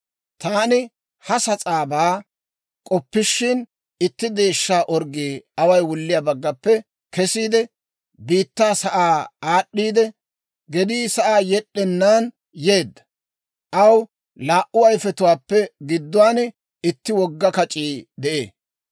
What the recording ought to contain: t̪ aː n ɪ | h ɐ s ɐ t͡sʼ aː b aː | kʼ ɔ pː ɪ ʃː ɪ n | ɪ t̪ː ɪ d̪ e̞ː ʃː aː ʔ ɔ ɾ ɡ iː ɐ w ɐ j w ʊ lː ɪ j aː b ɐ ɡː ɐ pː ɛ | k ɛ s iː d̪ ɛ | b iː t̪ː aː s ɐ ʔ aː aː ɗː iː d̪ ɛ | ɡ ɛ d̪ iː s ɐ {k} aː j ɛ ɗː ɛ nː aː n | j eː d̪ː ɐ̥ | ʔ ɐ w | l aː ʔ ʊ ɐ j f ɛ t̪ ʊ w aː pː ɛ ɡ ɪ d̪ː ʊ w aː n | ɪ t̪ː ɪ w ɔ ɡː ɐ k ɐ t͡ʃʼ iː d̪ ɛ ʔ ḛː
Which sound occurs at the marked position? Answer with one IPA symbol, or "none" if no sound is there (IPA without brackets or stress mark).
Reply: ʔ